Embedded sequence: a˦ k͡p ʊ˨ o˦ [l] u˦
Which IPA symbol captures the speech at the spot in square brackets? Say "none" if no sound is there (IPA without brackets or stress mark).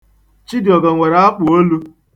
l